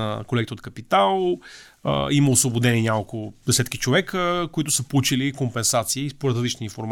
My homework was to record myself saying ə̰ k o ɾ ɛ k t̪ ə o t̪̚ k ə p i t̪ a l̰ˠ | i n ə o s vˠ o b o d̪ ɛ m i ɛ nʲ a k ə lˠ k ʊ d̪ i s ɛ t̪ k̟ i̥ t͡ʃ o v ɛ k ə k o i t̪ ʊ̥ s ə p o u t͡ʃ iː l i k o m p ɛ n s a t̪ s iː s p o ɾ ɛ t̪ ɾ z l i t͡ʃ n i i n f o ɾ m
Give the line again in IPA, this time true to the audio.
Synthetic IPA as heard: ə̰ k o l ɛ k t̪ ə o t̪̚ k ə p i t̪ a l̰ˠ | i m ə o s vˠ o b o d̪ ɛ n i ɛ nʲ a k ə lˠ k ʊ d̪ ɛ s ɛ t̪ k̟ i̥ t͡ʃ o v ɛ k ə k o i t̪ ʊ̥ s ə p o u t͡ʃ i l i k o m p ɛ n s a t̪ s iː s p o ɾ ɛ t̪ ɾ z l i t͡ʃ n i i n f o ɾ m